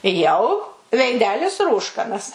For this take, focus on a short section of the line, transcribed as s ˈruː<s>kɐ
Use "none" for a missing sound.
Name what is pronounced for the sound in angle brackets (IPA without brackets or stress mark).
ʃ